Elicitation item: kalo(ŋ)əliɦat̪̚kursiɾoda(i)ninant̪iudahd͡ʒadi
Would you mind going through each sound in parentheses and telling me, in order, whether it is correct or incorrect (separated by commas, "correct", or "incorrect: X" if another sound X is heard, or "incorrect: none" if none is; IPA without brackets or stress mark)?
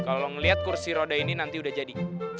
correct, correct